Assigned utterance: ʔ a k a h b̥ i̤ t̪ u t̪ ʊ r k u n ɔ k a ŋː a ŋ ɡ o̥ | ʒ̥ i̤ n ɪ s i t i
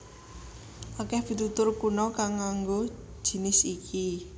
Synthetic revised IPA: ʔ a k ɛ h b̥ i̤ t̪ u t̪ ʊ r k u n ɔ k a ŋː a ŋ ɡ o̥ | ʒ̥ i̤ n ɪ s i k i